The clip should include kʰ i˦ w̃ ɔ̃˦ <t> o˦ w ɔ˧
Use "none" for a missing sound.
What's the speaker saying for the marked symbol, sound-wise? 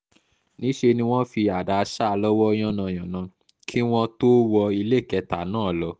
t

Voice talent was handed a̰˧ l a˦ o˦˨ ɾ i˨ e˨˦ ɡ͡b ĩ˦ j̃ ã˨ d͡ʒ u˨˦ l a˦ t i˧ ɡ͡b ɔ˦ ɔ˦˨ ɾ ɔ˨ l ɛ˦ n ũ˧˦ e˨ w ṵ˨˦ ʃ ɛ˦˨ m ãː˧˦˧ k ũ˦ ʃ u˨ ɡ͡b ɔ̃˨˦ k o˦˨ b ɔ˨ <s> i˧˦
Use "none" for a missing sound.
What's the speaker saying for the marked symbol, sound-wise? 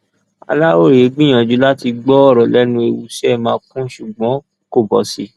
s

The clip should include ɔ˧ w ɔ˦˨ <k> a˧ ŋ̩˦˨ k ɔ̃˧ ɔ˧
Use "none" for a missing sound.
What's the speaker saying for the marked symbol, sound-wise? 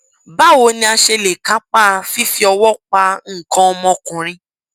k͡p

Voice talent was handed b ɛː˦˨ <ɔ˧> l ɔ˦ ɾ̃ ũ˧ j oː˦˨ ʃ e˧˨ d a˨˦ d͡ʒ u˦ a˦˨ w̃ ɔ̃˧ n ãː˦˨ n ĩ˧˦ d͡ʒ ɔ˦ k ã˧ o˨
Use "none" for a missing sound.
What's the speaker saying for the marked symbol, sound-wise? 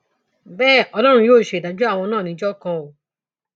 ɔ˧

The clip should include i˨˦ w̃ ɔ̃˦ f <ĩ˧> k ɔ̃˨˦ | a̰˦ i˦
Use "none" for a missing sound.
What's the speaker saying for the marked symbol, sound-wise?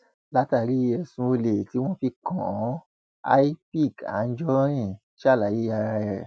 i˧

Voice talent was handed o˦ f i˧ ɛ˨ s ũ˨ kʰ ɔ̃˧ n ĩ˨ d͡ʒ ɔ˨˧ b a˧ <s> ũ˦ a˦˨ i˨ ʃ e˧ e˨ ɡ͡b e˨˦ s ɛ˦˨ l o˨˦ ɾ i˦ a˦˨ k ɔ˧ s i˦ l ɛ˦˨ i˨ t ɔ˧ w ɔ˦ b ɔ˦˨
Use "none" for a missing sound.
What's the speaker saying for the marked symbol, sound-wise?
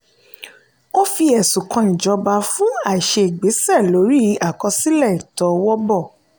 f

